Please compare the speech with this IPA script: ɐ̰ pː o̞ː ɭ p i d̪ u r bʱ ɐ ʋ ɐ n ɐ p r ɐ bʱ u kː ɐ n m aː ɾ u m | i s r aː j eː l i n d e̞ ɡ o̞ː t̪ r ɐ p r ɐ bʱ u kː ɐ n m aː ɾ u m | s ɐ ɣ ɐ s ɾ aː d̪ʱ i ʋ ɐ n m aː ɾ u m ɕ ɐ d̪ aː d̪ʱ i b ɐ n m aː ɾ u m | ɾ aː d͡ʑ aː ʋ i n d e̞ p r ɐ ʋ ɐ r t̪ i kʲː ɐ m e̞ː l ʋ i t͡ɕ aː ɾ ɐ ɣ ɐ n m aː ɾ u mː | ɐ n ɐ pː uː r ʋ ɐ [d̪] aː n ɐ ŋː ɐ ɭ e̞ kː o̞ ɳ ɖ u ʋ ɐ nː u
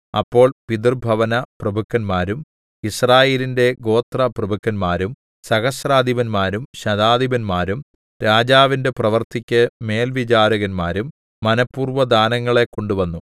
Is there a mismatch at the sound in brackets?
no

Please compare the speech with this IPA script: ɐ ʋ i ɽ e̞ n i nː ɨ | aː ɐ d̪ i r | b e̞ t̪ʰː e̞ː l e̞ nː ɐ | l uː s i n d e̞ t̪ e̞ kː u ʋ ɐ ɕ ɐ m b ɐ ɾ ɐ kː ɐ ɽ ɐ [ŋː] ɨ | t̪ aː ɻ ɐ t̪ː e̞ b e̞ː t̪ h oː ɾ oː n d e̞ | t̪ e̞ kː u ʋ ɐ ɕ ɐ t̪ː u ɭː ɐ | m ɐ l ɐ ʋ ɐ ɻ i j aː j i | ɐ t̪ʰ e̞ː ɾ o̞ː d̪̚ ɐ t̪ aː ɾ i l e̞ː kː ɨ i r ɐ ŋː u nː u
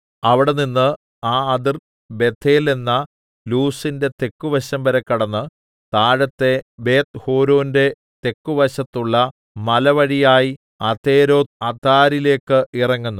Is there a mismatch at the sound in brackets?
yes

